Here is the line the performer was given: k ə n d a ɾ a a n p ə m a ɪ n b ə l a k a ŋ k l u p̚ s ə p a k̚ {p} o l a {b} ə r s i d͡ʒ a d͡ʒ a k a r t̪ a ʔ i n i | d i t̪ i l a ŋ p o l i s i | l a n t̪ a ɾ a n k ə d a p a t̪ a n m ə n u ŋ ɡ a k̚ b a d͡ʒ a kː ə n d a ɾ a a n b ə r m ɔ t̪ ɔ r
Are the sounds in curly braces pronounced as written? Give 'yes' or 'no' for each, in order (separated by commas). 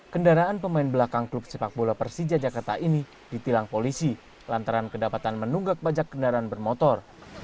no, no